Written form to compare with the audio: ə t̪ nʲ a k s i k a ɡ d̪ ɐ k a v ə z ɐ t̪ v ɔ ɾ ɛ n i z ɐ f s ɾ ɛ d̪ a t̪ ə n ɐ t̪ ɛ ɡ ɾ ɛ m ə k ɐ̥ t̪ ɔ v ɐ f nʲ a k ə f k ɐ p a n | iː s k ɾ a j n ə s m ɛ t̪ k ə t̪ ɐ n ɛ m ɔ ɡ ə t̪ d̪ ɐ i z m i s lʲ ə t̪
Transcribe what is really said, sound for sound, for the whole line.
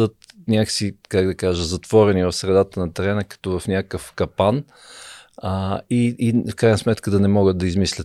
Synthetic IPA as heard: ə t̪ nʲ a k s i k a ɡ d̪ ɐ k a ʒ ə z ɐ t̪ v ɔ ɾ ɛ n i v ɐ f s ɾ ɛ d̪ a t̪ ə n ɐ t̪ ɛ ɾ ɛ n ə k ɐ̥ t̪ ɔ v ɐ f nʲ a k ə f k ɐ p a n | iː f k ɾ a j n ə s m ɛ t̪ k ə d̪ ɐ n ɛ m ɔ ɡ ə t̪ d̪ ɐ i z m i s lʲ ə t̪